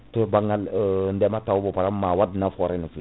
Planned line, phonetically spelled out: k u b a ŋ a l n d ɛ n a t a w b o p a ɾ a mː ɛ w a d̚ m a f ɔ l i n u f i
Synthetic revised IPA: t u b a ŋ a l n d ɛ m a t a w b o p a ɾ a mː a w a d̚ n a f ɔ ɾ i n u f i